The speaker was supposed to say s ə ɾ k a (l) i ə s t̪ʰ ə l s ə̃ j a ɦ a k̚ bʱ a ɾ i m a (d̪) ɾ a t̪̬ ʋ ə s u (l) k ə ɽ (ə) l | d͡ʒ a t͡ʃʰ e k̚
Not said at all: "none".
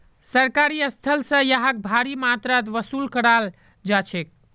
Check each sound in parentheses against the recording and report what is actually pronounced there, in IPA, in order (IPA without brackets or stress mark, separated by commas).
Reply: ɾ, t̪, l, a